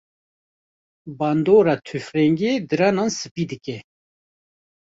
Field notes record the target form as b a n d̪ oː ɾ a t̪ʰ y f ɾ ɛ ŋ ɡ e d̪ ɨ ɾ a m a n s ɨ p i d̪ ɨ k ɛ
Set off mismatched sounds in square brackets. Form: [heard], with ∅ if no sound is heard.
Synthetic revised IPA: b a n d̪ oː ɾ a t̪ʰ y f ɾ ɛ ŋ ɡ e d̪ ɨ ɾ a [n] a n s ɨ p i d̪ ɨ k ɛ